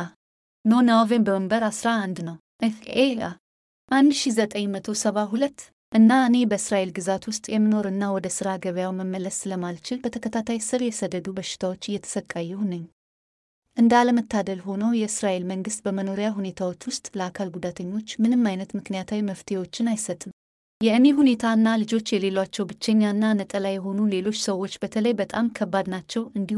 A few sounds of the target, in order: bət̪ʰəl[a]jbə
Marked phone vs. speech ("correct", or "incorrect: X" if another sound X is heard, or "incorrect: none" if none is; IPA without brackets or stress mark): incorrect: ə